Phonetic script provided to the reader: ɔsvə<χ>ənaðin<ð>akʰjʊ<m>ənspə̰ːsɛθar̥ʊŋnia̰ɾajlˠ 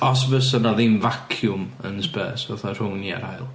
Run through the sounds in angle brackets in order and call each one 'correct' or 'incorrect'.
incorrect: s, incorrect: v, correct

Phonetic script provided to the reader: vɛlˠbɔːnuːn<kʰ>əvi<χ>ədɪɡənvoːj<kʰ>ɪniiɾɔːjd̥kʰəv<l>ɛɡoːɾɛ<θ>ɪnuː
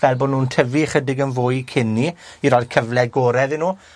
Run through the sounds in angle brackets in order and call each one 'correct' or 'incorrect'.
incorrect: tʰ, correct, correct, correct, incorrect: ð

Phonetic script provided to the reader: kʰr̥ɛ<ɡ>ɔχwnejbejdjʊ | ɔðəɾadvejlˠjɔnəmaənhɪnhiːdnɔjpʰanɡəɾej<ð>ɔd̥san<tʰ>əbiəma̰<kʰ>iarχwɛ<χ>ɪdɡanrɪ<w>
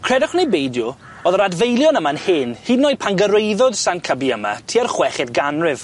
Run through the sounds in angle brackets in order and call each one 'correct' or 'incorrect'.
incorrect: d, correct, incorrect: kʰ, incorrect: tʰ, correct, incorrect: v

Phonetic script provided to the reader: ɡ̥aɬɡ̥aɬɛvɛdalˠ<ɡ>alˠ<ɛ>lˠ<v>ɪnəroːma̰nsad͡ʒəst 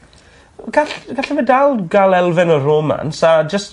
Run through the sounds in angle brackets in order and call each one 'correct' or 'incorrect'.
correct, correct, correct

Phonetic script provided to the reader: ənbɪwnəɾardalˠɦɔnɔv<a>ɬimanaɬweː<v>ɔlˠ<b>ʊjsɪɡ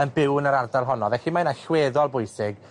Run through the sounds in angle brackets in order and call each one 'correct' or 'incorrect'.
incorrect: ɛ, incorrect: ð, correct

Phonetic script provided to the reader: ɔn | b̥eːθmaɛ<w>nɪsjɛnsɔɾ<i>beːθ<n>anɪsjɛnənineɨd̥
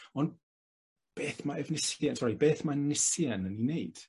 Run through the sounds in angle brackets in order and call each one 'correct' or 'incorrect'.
incorrect: v, correct, incorrect: m

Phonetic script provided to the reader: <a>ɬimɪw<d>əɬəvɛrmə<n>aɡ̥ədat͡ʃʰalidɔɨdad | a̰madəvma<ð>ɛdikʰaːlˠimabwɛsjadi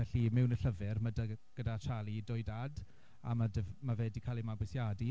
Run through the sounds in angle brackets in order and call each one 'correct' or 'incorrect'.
incorrect: ɛ, incorrect: n, incorrect: d, incorrect: v

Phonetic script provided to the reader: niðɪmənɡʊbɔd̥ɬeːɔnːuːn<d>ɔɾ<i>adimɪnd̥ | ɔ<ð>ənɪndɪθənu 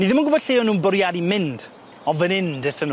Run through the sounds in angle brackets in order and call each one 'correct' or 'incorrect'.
incorrect: b, incorrect: j, incorrect: v

